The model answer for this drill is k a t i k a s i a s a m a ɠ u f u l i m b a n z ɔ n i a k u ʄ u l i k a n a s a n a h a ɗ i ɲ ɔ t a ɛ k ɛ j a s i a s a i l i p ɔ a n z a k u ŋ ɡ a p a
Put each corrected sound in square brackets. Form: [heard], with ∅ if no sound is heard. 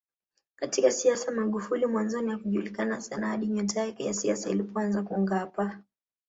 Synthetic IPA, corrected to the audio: k a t i k a s i a s a m a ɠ u f u l i m [w] a n z ɔ n i a k u ʄ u l i k a n a s a n a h a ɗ i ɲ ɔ t a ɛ k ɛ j a s i a s a i l i p ɔ a n z a k u ŋ ɡ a p a